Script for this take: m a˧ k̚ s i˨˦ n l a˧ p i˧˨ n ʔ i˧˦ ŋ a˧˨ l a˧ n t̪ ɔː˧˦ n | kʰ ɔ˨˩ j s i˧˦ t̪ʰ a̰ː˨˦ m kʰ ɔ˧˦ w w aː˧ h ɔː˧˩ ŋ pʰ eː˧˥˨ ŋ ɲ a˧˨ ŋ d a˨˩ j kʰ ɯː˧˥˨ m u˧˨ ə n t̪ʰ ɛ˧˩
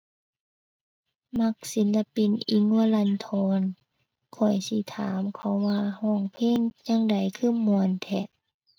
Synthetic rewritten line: m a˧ k̚ s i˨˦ n l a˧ p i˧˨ n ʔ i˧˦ ŋ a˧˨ l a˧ n t̪ʰ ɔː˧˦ n | kʰ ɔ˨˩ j s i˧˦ t̪ʰ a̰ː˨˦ m kʰ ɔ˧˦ w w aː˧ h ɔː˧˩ ŋ pʰ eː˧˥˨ ŋ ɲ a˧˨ ŋ d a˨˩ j kʰ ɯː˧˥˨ m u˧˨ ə n t̪ʰ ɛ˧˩